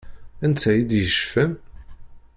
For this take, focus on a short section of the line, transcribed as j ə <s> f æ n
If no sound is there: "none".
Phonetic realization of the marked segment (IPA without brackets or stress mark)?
ʃ